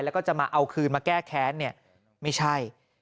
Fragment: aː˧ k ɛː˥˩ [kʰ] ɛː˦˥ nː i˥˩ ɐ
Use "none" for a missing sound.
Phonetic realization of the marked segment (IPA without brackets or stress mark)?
kʰ